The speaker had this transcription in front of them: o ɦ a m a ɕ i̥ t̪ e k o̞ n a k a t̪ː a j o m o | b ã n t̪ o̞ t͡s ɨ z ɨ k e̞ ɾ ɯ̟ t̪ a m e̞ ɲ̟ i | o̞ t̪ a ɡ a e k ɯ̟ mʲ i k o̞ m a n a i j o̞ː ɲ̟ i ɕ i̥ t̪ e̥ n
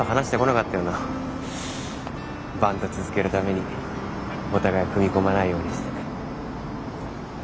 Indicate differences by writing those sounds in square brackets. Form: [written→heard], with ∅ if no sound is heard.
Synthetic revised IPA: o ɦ a [m→n] a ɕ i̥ t̪ e k o̞ n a k a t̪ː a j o [m→n] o | b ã n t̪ o̞ t͡s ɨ z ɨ k e̞ ɾ ɯ̟ t̪ a m e̞ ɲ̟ i | o̞ t̪ a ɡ a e k ɯ̟ mʲ i k o̞ m a n a i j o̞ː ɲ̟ i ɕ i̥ t̪ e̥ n